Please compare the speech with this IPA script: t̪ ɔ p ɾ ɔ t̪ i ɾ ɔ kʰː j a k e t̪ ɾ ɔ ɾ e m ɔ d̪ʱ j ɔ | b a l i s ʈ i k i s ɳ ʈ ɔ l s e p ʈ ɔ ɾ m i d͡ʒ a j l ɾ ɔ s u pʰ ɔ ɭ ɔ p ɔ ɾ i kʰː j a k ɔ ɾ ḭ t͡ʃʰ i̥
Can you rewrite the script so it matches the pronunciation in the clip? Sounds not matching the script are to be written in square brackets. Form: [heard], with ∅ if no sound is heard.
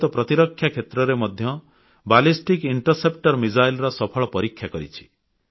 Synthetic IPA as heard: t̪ ɔ p ɾ ɔ t̪ i ɾ ɔ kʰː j a [kʰ] e t̪ ɾ ɔ ɾ e m ɔ d̪ʱ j ɔ | b a l i s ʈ i k i [∅] ɳ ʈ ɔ [ɾ] s e p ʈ ɔ ɾ m i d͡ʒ a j l ɾ ɔ s [ɔ] pʰ ɔ ɭ ɔ p ɔ ɾ i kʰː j a k ɔ ɾ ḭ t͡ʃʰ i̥